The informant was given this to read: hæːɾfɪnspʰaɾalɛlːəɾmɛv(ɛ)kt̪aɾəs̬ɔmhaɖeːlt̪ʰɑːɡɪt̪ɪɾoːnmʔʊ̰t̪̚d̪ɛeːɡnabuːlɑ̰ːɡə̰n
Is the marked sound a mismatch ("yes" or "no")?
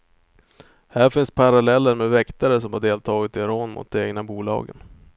no